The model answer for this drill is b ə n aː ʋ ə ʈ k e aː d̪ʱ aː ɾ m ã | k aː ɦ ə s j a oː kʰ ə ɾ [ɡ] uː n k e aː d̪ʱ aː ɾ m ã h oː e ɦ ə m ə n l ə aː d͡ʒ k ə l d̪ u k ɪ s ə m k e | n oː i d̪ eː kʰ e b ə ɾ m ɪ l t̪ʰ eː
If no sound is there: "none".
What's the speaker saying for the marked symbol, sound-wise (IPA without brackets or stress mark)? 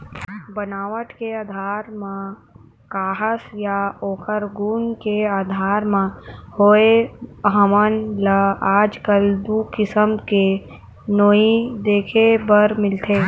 ɡ